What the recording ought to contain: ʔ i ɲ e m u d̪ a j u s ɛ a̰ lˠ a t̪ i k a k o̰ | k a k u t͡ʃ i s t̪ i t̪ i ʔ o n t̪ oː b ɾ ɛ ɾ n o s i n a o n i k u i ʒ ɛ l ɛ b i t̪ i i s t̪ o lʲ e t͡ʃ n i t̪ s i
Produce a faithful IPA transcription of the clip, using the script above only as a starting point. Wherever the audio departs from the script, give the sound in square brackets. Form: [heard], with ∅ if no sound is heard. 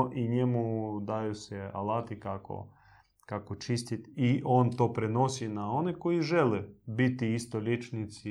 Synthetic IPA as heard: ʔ i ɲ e m u d̪ a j u s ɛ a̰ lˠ a t̪ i k a k o̰ | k a k [o] t͡ʃ i s t̪ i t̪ i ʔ o n t̪ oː [p] ɾ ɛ [∅] n o s i n a o n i k [o] i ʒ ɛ l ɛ b i t̪ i i s t̪ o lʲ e t͡ʃ n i t̪ s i